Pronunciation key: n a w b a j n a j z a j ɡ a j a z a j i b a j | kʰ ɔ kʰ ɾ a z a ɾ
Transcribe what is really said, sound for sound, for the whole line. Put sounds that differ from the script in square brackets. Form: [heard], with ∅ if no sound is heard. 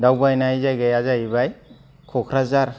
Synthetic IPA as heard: [d] a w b a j n a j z a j ɡ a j a z a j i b a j | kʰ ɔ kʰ ɾ a z a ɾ